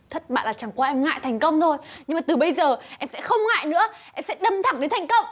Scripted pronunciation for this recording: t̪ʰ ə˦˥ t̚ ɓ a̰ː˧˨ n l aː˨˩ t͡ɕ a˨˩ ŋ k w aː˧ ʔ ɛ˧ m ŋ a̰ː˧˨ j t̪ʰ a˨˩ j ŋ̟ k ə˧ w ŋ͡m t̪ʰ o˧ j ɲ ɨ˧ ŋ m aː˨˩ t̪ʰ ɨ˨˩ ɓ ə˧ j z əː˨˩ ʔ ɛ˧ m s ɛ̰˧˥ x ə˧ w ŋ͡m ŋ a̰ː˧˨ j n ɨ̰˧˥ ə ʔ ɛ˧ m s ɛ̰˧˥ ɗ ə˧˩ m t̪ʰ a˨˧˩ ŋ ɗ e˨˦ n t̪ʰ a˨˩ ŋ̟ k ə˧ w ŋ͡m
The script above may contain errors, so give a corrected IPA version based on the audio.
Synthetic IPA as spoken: t̪ʰ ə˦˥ t̚ ɓ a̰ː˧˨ n l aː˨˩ t͡ɕ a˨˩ ŋ k w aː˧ ʔ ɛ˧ m ŋ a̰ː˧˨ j t̪ʰ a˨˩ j ŋ̟ k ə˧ w ŋ͡m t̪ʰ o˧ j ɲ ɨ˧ ŋ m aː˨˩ t̪ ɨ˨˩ ɓ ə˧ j z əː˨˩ ʔ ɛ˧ m s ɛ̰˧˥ x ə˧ w ŋ͡m ŋ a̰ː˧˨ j n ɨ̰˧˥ ə ʔ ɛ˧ m s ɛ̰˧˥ ɗ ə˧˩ m t̪ʰ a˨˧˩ ŋ ɗ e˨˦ n t̪ʰ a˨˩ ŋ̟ k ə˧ w ŋ͡m